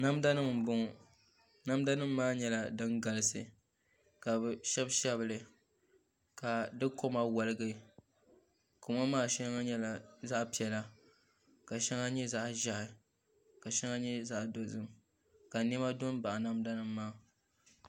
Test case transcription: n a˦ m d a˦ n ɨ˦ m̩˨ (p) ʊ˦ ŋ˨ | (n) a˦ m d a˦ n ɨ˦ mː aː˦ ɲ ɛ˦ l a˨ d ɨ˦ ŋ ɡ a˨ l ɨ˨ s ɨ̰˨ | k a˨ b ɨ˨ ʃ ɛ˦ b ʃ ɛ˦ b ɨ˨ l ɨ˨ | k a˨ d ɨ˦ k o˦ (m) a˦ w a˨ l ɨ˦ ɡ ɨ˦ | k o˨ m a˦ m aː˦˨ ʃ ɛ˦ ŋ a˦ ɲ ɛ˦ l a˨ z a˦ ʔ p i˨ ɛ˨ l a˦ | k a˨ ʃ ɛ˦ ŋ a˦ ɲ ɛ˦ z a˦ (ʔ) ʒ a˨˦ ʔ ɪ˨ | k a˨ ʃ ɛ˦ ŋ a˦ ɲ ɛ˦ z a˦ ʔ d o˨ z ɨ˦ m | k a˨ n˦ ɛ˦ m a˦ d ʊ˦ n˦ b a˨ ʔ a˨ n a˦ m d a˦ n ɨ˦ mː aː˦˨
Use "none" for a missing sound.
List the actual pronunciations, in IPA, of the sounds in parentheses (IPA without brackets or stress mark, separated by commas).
b, n, m, ʔ